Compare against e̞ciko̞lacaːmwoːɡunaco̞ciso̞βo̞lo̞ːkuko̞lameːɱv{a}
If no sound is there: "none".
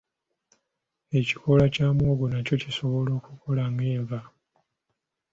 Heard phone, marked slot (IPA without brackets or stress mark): a